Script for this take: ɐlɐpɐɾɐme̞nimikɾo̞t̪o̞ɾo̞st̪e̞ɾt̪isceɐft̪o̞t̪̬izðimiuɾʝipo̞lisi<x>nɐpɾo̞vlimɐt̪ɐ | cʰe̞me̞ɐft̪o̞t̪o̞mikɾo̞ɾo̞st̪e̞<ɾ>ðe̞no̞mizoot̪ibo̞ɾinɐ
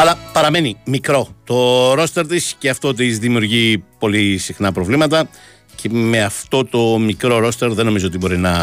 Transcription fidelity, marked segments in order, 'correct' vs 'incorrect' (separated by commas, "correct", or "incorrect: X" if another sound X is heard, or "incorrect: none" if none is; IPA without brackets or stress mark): correct, correct